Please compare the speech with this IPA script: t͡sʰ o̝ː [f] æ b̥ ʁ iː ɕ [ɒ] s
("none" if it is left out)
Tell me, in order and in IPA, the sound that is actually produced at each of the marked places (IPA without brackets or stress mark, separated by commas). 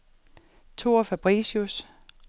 f, u